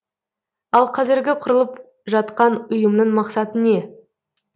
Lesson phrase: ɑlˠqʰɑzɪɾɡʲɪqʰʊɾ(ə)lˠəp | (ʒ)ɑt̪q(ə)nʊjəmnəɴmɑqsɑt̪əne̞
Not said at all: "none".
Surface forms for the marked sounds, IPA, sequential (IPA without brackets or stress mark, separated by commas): ə, ʒ, ɑ